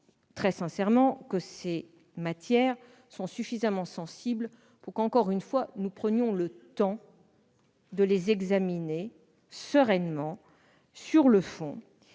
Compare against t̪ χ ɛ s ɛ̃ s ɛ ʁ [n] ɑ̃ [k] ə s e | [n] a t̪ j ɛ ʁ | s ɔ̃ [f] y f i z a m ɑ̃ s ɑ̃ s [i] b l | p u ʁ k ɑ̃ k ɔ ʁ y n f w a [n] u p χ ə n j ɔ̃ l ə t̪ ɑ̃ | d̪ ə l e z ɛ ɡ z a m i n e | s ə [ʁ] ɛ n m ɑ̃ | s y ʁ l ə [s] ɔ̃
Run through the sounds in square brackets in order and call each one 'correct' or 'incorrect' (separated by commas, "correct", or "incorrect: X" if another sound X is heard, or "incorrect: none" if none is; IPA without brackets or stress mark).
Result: incorrect: m, correct, incorrect: m, incorrect: s, correct, correct, correct, incorrect: f